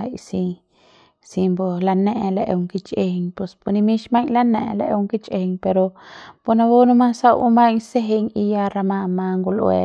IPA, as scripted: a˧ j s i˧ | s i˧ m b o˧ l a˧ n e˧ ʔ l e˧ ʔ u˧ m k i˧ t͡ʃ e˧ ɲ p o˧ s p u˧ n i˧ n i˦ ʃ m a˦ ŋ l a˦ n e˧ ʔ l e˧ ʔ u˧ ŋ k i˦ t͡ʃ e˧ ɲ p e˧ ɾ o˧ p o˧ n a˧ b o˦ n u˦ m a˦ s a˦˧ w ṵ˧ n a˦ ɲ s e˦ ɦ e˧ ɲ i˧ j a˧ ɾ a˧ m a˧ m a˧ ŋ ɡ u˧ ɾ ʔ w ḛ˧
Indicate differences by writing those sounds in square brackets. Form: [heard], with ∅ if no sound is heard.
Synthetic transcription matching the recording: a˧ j s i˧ | s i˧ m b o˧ l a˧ n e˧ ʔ l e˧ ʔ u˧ [ŋ] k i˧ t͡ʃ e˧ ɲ p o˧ s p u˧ n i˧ [m] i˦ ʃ m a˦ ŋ l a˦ n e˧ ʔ l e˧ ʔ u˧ ŋ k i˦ t͡ʃ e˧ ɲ p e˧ ɾ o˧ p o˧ n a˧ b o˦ n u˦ m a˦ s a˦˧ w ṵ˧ [m] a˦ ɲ s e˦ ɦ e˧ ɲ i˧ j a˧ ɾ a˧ m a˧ m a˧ ŋ ɡ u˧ [l] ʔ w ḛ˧